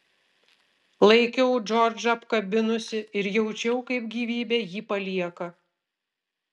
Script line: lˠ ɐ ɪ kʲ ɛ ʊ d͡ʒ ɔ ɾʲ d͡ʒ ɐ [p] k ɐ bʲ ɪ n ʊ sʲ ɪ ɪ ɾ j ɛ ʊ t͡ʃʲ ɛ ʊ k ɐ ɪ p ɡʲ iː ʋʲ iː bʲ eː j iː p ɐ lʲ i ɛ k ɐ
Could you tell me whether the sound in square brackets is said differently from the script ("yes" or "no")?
no